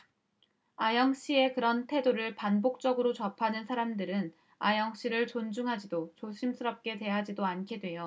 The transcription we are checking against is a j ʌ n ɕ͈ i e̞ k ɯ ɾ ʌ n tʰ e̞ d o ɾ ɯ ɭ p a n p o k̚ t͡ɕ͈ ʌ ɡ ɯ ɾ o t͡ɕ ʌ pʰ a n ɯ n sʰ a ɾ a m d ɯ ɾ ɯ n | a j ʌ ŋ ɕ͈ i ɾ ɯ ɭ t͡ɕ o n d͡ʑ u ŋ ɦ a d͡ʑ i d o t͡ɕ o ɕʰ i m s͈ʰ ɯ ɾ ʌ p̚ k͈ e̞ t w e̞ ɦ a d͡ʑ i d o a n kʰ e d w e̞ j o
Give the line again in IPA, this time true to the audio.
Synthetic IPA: a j ʌ ŋ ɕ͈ i e̞ k ɯ ɾ ʌ n tʰ e̞ d o ɾ ɯ ɭ p a n b o k̚ t͡ɕ͈ ʌ ɡ ɯ ɾ o t͡ɕ ʌ pʰ a n ɯ n sʰ a ɾ a m d ɯ ɾ ɯ n | a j ʌ ŋ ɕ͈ i ɾ ɯ ɭ t͡ɕ o n d͡ʑ u ŋ ɦ a d͡ʑ i d o t͡ɕ o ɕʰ i m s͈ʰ ɯ ɾ ʌ p̚ k͈ e̞ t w e̞ ɦ a d͡ʑ i d o a n kʰ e d w e̞ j o

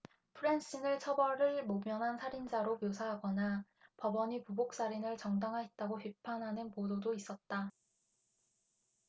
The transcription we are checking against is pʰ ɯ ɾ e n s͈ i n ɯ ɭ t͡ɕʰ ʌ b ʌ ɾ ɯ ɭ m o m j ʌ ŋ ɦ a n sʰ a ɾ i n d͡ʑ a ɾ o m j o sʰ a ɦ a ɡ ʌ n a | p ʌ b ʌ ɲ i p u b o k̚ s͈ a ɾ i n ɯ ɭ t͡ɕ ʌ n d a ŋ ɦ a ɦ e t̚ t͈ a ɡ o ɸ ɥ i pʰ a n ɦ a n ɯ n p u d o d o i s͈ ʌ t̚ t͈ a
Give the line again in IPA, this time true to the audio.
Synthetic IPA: pʰ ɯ ɾ e n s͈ i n ɯ ɭ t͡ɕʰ ʌ b ʌ ɾ ɯ ɭ m o m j ʌ n ɦ a n sʰ a ɾ i n d͡ʑ a ɾ o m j o sʰ a ɦ a ɡ ʌ n a | p ʌ b ʌ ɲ i p u b o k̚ s͈ a ɾ i n ɯ ɭ t͡ɕ ʌ ŋ d a ŋ ɦ a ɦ e t̚ t͈ a ɡ o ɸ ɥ i pʰ a n ɦ a n ɯ n p o d o d o i s͈ ʌ t̚ t͈ a

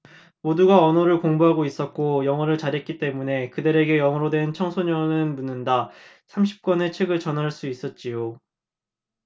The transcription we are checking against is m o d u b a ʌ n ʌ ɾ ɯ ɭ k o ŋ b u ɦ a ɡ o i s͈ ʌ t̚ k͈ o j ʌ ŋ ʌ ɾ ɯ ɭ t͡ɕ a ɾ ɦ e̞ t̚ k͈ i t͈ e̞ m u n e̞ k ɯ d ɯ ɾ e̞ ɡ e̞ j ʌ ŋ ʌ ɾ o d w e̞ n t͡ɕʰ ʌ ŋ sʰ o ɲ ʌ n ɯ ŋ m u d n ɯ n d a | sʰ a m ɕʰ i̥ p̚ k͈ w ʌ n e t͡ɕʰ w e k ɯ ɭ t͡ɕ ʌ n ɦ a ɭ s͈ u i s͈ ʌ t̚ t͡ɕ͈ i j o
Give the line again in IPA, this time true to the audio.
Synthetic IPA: m o d u ɡ a ʌ n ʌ ɾ ɯ ɭ k o ŋ b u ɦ a ɡ o i s͈ ʌ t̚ k͈ o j ʌ ŋ ʌ ɾ ɯ ɭ t͡ɕ a ɾ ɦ e̞ t̚ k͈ i t͈ e̞ m u n e̞ k ɯ d ɯ ɾ e̞ ɡ e̞ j ʌ ŋ ʌ ɾ o d w e̞ n t͡ɕʰ ʌ ŋ sʰ o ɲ ʌ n ɯ n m u n ɯ n d a | sʰ a m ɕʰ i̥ p̚ k͈ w ʌ n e t͡ɕʰ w e ɡ ɯ ɭ t͡ɕ ʌ n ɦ a ɭ s͈ u i s͈ ʌ t̚ t͡ɕ͈ i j o

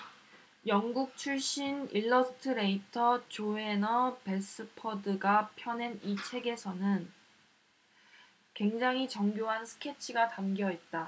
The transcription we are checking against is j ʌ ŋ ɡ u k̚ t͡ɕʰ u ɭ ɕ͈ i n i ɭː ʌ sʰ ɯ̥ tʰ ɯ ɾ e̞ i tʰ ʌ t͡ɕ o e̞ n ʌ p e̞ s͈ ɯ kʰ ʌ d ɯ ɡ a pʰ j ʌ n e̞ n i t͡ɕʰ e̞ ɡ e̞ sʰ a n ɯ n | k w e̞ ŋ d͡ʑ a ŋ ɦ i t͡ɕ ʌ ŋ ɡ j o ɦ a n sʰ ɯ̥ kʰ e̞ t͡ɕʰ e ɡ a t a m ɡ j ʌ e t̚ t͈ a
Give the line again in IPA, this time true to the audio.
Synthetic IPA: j ʌ ŋ ɡ u k̚ t͡ɕʰ u ɭ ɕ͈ i n i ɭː ʌ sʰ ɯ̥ tʰ ɯ ɾ e̞ i tʰ ʌ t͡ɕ o e̞ n ʌ p e̞ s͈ ɯ pʰ ʌ d ɯ ɡ a pʰ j ʌ n e̞ n i t͡ɕʰ e̞ ɡ e̞ sʰ ʌ n ɯ n | k w e̞ ŋ d͡ʑ a ŋ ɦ i t͡ɕ ʌ ŋ ɡ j o ɦ a n sʰ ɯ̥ kʰ e̞ t͡ɕʰ i ɡ a t a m ɡ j ʌ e t̚ t͈ a

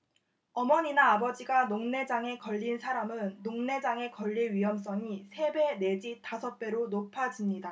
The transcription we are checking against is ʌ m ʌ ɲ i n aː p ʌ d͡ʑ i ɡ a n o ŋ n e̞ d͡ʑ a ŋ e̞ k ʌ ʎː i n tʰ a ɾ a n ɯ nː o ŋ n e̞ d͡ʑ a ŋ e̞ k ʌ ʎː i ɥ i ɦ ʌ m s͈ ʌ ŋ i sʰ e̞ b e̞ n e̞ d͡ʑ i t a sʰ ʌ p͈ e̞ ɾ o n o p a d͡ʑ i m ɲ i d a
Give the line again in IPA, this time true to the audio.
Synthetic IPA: ʌ m ʌ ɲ i n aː b ʌ d͡ʑ i ɡ a n o ŋ n e̞ d͡ʑ a ŋ e̞ k ʌ ʎː i n sʰ a ɾ a m ɯ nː o ŋ n e̞ d͡ʑ a ŋ e̞ k ʌ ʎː i ɥ i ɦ ʌ m s͈ ʌ ŋ i sʰ e̞ b e̞ n e̞ d͡ʑ i t a sʰ ʌ p͈ e̞ ɾ o n o pʰ a d͡ʑ i m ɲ i d a

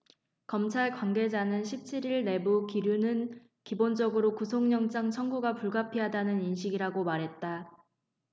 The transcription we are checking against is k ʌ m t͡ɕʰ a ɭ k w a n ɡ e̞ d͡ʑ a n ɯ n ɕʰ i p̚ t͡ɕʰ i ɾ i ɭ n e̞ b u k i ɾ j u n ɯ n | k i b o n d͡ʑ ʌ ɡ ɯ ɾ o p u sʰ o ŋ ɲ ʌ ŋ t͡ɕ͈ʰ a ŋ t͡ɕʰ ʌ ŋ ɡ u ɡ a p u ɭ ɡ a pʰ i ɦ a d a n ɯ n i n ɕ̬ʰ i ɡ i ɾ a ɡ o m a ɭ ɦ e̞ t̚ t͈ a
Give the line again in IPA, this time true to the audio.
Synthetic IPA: k ʌ m t͡ɕʰ a ɭ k w a n ɡ e̞ d͡ʑ a n ɯ n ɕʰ i p̚ t͡ɕʰ i ɾ i ɭ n e̞ b u k i ɾ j u n ɯ n | k i b o n d͡ʑ ʌ ɡ ɯ ɾ o k u sʰ o ŋ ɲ ʌ ŋ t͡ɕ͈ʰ a ŋ t͡ɕʰ ʌ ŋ ɡ u ɡ a p u ɭ ɡ a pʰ i ɦ a d a n ɯ n i n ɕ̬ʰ i ɡ i ɾ a ɡ o m a ɾ ɦ e̞ t̚ t͈ a

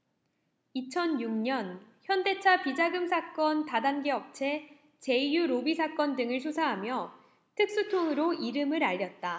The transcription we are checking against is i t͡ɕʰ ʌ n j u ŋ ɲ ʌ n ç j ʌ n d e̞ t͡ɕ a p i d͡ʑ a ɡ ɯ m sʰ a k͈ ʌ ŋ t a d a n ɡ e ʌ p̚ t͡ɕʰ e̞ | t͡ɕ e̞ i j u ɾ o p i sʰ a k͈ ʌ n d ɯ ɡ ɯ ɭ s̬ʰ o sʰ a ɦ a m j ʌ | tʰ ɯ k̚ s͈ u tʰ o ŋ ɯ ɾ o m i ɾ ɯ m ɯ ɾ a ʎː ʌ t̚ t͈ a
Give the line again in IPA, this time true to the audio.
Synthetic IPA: i t͡ɕʰ ʌ n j u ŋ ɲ ʌ n ç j ʌ n d e̞ t͡ɕʰ a p i d͡ʑ a ɡ ɯ m sʰ a k͈ ʌ n t a d a n ɡ e ʌ p̚ t͡ɕʰ e̞ | t͡ɕ e̞ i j u ɾ o b i sʰ a k͈ ʌ n d ɯ ŋ ɯ ɭ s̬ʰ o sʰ a ɦ a m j ʌ | tʰ ɯ k̚ s͈ u tʰ o ŋ ɯ ɾ o i ɾ ɯ m ɯ ɾ a ʎː ʌ t̚ t͈ a

